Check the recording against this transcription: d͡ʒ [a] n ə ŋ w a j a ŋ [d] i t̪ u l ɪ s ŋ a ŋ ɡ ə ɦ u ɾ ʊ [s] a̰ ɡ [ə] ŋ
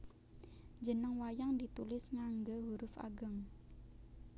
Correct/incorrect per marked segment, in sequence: incorrect: ə, correct, incorrect: f, correct

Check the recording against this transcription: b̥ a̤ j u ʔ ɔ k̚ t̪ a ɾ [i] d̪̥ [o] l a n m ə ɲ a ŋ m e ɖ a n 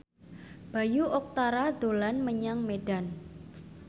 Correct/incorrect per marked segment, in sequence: incorrect: a, correct

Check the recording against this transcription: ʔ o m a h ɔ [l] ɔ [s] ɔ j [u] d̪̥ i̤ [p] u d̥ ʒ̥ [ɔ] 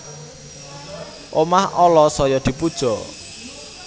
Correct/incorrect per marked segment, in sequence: correct, correct, incorrect: ɔ, correct, correct

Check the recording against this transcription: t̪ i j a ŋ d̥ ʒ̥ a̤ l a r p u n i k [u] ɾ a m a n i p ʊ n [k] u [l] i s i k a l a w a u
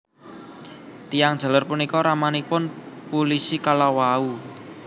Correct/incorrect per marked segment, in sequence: incorrect: ɔ, incorrect: p, correct

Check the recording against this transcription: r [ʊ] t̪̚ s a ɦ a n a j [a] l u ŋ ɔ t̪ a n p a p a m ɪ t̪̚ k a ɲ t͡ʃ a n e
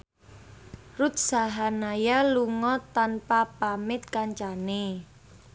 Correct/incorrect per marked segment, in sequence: incorrect: u, correct

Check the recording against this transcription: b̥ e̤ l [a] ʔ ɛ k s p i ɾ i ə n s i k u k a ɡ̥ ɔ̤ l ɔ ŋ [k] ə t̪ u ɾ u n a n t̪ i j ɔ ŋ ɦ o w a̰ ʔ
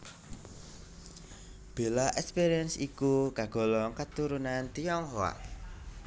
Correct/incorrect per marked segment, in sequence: correct, correct

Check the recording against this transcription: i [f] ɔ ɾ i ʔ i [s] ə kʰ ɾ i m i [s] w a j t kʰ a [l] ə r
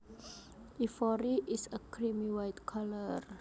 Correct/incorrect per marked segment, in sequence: correct, correct, incorrect: none, correct

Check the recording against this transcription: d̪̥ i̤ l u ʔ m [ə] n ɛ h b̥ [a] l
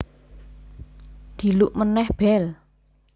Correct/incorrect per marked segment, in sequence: correct, incorrect: ɛ

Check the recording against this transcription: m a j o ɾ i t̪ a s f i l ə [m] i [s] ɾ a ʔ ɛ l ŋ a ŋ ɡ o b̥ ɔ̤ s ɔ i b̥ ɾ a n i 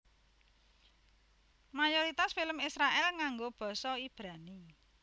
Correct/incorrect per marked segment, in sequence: correct, correct

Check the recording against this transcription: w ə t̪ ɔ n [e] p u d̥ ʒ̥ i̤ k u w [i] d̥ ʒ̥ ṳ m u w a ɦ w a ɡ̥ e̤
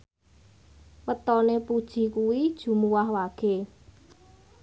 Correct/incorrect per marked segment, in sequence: correct, correct

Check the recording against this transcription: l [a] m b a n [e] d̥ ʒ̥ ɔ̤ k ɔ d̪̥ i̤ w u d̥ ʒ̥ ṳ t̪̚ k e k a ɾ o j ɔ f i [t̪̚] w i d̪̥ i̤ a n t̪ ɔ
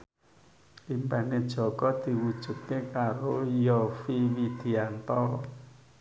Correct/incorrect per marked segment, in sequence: incorrect: i, correct, incorrect: none

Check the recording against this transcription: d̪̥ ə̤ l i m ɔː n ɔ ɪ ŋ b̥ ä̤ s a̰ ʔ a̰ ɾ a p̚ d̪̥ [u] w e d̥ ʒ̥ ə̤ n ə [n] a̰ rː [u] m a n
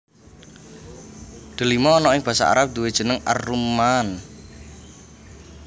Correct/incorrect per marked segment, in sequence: correct, incorrect: ŋ, correct

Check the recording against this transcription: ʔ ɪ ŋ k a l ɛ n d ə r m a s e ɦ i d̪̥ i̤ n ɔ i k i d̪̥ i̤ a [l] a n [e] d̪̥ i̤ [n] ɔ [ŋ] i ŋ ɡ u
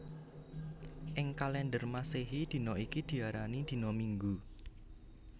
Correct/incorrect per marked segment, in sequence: incorrect: ɾ, incorrect: i, correct, incorrect: m

